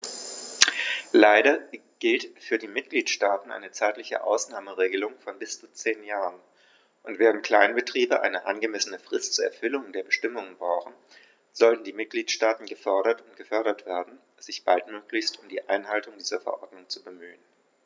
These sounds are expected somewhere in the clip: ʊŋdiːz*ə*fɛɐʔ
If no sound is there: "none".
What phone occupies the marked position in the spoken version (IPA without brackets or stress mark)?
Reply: ɐ